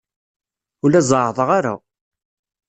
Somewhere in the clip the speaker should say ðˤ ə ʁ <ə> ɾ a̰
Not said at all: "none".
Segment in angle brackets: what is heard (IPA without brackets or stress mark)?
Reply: a